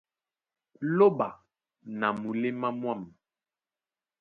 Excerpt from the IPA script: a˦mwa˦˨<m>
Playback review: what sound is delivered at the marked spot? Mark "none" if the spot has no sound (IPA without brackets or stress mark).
m